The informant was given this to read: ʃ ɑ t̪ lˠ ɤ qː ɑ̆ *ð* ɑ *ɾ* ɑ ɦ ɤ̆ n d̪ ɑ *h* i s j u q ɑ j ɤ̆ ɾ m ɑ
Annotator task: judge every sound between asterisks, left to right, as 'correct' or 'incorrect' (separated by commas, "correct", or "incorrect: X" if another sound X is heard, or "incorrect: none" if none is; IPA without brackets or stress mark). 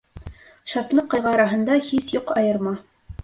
incorrect: ʁ, correct, correct